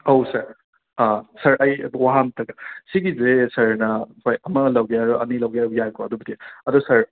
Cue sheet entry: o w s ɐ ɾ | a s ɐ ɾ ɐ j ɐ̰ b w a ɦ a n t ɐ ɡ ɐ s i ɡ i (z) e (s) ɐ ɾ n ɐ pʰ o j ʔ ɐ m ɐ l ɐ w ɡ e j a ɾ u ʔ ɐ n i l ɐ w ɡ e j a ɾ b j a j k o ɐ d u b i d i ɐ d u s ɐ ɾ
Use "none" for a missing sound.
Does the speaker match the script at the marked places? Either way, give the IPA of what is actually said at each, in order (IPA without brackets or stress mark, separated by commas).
z, s